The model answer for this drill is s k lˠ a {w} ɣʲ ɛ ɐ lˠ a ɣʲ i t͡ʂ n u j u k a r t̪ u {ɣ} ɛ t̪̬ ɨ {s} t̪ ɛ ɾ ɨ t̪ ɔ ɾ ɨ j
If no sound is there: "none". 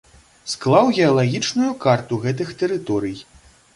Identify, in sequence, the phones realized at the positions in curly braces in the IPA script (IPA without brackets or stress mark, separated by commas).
w, ɣ, x